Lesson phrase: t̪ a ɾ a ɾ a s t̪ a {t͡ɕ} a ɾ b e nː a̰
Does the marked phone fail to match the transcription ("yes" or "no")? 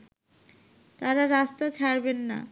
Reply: yes